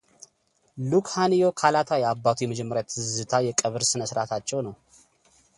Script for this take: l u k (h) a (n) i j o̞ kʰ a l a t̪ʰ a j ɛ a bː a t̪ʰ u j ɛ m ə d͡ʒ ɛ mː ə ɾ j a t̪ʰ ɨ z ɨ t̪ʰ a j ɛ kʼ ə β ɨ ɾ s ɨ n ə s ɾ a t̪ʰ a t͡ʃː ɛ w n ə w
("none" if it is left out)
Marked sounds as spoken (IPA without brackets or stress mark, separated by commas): h, n